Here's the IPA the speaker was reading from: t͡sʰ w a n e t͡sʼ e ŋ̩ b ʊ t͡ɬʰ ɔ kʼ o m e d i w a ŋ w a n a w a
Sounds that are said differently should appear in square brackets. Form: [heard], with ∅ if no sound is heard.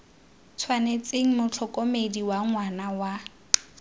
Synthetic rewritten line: t͡sʰ w a n e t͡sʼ e ŋ̩ [m] ʊ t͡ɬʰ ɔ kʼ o m e d i w a ŋ w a n a w a